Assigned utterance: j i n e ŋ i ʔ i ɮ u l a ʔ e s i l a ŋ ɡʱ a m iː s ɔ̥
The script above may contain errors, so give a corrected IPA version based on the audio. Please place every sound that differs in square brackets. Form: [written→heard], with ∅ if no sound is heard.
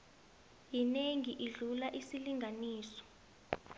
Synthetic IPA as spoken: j i n e ŋ i ʔ i ɮ u l a ʔ [e→i] s i l [a→i] ŋ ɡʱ a [m→n] iː s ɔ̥

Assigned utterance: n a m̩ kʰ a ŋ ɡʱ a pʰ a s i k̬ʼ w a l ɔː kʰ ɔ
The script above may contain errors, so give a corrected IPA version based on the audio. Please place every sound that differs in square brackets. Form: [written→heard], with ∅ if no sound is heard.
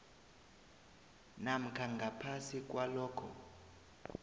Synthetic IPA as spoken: n a m̩ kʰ a ŋ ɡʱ a pʰ a s i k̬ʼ w a l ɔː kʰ ɔ

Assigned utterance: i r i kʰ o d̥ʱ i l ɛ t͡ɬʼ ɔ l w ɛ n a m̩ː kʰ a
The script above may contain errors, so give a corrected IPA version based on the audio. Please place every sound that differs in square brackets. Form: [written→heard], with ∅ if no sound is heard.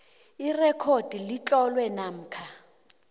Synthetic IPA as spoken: i r [i→ɛ] kʰ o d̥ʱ i l [ɛ→i] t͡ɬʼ ɔ l w ɛ n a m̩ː kʰ a

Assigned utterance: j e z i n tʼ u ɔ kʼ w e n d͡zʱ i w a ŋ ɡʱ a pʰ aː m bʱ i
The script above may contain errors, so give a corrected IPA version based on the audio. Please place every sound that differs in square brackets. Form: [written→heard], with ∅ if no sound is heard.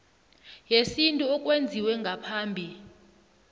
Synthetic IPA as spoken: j e [z→s] i n tʼ u ɔ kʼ w e n d͡zʱ i w [a→ɛ] ŋ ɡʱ a pʰ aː m bʱ i

